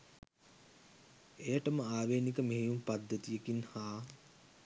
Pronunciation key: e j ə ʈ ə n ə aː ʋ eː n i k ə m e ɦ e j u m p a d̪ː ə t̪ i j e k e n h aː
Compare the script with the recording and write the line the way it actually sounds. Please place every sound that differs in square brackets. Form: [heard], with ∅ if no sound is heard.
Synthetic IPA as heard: e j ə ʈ ə [m] ə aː ʋ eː n i k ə m e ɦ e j u m p a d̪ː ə t̪ i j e k [i] n h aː